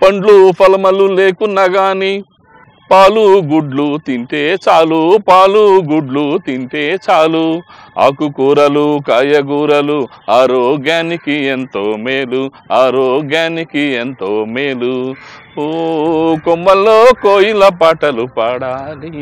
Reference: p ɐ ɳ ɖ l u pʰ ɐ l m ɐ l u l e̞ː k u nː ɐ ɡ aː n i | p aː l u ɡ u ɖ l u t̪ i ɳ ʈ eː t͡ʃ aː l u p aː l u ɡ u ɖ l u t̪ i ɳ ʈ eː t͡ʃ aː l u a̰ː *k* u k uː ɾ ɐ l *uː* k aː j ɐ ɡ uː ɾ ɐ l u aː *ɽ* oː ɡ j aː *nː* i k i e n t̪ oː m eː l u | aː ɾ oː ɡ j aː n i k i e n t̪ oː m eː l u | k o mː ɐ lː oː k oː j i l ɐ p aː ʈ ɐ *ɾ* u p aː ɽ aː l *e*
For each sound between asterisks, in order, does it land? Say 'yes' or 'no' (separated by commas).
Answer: yes, no, no, no, no, no